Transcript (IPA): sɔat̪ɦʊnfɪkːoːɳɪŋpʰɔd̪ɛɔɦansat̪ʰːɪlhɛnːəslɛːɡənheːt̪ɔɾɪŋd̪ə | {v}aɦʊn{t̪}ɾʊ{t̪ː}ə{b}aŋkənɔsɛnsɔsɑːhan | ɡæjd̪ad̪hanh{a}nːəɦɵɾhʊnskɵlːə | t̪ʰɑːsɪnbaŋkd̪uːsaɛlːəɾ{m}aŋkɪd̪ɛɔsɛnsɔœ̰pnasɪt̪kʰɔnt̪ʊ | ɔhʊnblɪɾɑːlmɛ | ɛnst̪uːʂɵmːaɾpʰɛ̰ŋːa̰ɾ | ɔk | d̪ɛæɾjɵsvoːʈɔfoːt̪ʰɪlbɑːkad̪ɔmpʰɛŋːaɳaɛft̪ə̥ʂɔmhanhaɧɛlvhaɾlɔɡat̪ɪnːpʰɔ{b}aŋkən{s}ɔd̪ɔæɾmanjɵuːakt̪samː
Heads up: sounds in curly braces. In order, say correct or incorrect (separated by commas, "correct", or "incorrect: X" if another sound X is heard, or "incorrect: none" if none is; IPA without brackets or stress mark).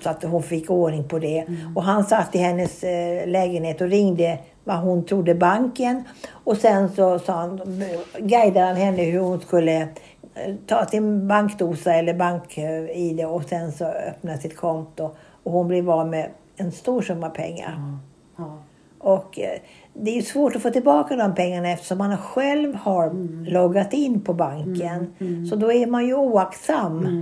correct, incorrect: t̪ʰ, incorrect: d̪ː, correct, incorrect: ɛ, incorrect: b, correct, correct